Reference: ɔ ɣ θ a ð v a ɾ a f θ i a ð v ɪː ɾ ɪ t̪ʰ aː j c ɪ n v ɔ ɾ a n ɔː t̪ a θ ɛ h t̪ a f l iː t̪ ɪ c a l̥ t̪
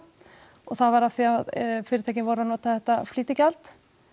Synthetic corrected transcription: ɔ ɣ θ a ð v a ɾ a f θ i a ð f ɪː ɾ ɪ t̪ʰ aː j c ɪ n v ɔ ɾ a n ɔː t̪ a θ ɛ h t̪ a f l iː t̪ ɪ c a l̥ t̪